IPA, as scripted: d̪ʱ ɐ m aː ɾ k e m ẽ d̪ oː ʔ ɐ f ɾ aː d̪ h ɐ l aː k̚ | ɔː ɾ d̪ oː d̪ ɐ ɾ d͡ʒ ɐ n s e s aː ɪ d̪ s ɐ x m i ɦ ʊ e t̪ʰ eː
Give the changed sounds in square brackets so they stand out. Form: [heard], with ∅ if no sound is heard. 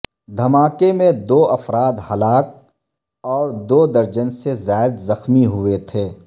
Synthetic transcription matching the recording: d̪ʱ ɐ m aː [∅] k e m ẽ d̪ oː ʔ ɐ f ɾ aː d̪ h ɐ l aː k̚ | ɔː ɾ d̪ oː d̪ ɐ ɾ d͡ʒ [ə] n s e [z] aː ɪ d̪ [z] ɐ x m i ɦ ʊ e t̪ʰ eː